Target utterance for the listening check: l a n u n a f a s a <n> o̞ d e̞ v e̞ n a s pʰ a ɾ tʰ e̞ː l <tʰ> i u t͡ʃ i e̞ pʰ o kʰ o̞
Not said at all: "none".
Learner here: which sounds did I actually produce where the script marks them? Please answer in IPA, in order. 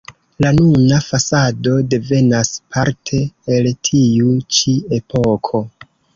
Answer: d, tʰ

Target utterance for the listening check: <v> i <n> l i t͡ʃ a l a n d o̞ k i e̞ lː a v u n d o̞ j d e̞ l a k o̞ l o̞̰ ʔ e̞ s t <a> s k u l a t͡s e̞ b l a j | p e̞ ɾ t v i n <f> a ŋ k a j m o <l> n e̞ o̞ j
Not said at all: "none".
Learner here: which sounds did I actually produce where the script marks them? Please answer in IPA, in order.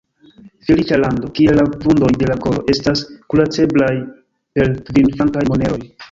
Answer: f, none, a, f, none

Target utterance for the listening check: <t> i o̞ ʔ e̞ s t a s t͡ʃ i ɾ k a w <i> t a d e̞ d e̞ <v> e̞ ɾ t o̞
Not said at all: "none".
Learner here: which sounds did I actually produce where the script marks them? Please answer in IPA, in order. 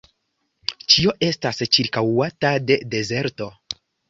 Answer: t͡ʃ, a, z

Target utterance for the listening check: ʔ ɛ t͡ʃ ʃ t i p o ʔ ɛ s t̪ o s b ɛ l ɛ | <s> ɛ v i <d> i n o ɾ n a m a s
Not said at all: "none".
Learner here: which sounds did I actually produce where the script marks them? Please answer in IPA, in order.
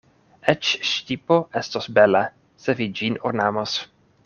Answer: s, d͡ʒ

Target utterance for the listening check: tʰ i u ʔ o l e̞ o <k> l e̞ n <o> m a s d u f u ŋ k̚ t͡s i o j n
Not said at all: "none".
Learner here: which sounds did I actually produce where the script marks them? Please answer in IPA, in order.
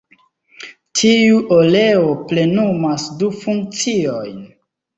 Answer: p, u

